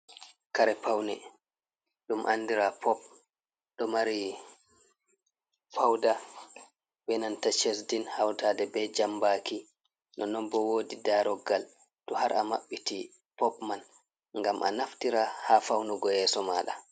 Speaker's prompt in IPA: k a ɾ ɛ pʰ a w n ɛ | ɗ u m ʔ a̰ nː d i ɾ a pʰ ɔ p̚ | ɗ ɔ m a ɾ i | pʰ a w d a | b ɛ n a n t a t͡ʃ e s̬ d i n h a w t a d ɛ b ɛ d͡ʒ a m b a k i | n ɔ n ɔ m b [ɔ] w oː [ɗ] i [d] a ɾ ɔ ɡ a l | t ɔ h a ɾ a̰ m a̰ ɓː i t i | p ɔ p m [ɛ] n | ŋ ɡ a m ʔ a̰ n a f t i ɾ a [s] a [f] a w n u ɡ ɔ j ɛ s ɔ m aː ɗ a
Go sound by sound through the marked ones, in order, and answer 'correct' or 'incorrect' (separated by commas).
correct, incorrect, correct, incorrect, incorrect, correct